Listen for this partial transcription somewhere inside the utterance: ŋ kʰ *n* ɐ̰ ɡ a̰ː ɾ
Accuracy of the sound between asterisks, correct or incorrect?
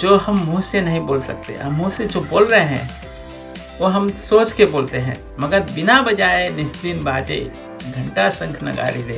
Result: correct